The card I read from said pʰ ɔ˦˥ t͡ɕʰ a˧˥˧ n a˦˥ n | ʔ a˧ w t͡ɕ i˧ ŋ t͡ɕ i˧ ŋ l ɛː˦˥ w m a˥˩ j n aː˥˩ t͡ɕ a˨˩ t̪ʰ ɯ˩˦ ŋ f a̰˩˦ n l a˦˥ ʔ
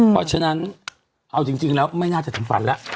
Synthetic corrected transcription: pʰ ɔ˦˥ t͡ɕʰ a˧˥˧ n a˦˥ n | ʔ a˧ w t͡ɕ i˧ ŋ t͡ɕ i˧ ŋ l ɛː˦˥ w m a˥˩ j n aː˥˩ t͡ɕ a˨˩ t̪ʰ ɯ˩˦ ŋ f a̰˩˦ n l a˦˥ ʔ